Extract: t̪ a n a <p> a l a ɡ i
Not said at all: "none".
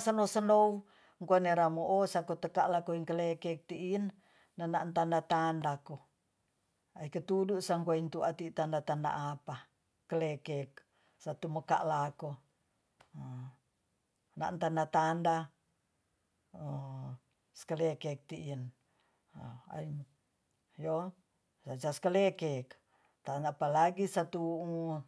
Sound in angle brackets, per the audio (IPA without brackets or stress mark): p